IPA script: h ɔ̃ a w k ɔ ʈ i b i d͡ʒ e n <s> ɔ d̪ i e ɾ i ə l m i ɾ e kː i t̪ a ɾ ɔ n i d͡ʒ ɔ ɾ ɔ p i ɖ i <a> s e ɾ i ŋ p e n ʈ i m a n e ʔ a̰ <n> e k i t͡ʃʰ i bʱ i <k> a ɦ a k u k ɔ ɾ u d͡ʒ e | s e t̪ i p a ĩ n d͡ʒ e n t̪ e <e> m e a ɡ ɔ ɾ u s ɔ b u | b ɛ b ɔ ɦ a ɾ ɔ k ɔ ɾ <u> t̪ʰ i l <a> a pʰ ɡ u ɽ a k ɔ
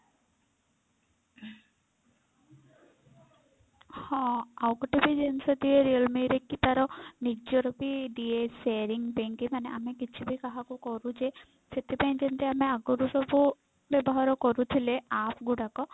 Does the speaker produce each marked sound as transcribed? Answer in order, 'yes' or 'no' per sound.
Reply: yes, no, no, yes, no, yes, no

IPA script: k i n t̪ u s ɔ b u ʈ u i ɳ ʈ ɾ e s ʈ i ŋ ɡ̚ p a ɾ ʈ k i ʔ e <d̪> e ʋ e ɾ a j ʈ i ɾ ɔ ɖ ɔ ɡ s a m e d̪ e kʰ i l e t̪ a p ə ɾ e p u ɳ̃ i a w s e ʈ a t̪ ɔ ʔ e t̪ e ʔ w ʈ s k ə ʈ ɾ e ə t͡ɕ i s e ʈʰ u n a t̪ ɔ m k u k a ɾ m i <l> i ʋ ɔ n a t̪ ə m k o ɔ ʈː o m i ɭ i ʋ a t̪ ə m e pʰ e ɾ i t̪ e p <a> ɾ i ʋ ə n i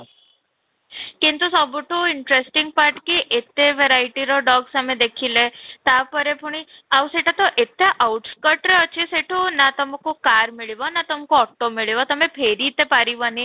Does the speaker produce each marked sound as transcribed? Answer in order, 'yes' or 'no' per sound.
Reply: no, no, yes

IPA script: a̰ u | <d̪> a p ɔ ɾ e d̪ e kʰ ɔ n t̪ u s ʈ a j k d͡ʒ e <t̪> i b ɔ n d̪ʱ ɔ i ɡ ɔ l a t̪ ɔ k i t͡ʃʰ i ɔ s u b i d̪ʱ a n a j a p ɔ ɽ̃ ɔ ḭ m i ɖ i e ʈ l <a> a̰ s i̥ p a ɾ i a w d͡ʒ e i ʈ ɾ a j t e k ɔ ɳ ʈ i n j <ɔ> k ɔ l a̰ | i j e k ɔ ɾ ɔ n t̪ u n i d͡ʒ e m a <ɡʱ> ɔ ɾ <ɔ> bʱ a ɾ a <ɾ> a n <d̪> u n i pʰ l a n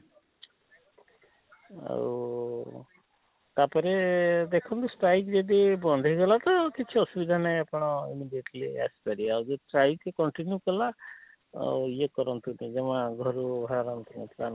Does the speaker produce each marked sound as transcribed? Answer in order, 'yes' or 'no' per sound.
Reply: no, no, no, no, yes, no, yes, no

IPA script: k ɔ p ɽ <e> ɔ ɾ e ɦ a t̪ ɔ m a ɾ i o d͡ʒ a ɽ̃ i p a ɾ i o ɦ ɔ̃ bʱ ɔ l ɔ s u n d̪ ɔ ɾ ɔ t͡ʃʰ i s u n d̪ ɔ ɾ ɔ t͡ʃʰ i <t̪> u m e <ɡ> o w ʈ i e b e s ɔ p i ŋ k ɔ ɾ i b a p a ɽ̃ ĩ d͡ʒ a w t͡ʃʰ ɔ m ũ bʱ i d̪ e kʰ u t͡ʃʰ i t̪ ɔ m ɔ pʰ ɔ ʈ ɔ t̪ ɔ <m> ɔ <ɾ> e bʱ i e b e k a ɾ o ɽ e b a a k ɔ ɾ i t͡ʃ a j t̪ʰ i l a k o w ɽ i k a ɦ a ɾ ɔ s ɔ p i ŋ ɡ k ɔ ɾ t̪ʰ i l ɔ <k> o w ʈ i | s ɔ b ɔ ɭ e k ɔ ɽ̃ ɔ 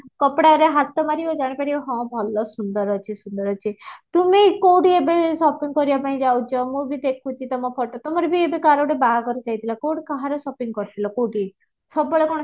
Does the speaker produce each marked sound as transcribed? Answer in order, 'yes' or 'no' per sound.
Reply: no, yes, no, yes, yes, yes

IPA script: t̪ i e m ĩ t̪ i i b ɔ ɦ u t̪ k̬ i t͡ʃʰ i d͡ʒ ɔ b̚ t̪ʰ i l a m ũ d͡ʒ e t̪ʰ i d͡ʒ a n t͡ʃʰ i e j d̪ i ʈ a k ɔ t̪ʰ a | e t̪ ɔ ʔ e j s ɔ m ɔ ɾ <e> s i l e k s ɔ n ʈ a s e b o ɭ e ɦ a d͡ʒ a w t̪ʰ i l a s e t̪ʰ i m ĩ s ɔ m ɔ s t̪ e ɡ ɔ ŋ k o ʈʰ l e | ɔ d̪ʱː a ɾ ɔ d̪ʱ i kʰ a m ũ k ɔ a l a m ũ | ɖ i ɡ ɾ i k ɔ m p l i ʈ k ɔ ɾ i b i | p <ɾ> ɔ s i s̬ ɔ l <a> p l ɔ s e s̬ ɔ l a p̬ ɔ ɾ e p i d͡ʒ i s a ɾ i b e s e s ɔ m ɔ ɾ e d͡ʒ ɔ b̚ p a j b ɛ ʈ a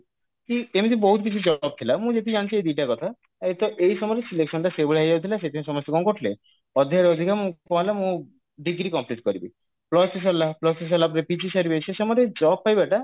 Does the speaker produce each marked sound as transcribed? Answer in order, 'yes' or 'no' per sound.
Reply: yes, no, yes

